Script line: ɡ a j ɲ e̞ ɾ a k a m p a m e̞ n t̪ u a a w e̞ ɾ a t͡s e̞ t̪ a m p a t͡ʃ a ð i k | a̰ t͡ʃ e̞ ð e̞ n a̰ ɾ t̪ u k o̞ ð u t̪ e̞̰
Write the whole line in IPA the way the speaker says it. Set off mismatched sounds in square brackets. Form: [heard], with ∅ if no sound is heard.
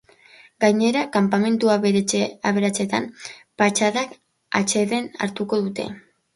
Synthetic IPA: ɡ a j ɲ e̞ ɾ a k a m p a m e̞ n t̪ u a a [β] e̞ ɾ a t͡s e̞ t̪ a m p a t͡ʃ a ð [a] k | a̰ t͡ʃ e̞ ð e̞ n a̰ ɾ t̪ u k o̞ ð u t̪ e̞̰